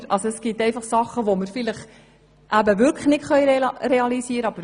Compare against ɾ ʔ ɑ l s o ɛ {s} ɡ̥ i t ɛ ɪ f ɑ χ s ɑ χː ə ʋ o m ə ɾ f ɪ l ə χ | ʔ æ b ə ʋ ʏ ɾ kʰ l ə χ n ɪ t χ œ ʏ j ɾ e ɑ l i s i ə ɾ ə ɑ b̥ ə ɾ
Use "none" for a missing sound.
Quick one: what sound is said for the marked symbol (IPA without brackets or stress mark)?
s